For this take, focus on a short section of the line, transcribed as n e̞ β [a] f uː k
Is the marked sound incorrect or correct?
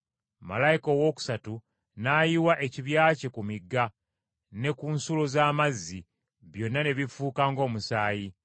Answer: incorrect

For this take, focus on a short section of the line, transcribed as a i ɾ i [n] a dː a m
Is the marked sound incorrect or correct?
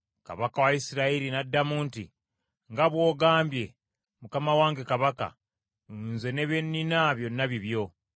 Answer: correct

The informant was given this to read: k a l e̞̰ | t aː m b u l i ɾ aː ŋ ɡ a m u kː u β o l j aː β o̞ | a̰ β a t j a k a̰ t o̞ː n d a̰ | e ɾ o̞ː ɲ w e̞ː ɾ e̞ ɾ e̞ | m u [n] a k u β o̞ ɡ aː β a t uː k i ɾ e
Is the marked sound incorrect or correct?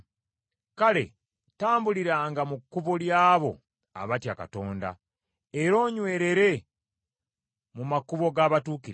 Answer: incorrect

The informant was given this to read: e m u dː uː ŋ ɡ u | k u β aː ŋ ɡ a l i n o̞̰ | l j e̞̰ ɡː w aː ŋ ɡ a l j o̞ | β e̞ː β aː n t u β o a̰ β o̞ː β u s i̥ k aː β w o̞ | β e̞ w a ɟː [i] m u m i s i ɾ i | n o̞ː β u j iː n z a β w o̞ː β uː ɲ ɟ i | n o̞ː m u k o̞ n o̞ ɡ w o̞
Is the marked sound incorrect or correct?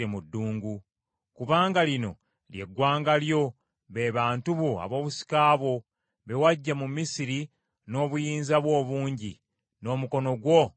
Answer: incorrect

